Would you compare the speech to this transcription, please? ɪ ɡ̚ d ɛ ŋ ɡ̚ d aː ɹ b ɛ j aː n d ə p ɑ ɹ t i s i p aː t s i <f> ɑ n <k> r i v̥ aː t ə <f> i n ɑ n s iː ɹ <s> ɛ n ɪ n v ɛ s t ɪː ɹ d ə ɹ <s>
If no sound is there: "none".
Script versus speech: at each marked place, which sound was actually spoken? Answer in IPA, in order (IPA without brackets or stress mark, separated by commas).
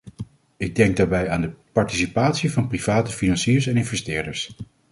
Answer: v, p, f, s, s